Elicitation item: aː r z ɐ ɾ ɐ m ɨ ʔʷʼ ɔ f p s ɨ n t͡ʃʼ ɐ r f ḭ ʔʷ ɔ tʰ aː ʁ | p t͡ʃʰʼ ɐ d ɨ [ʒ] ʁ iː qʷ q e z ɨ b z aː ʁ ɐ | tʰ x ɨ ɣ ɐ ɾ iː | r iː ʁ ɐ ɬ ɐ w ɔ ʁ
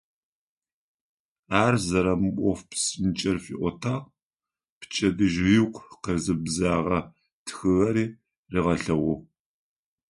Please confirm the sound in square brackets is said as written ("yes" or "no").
yes